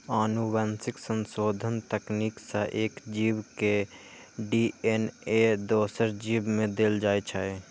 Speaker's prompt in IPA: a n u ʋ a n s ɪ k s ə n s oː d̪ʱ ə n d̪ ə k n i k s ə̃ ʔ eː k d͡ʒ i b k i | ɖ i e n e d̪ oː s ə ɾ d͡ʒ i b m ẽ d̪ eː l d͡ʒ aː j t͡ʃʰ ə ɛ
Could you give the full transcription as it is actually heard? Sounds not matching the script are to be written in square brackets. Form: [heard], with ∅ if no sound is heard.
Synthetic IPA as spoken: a n u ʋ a n s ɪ k s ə n s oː d̪ʱ ə n [t̪] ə k n i k s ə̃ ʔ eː k d͡ʒ i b k [e] | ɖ i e n e d̪ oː s ə ɾ d͡ʒ i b m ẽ d̪ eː l d͡ʒ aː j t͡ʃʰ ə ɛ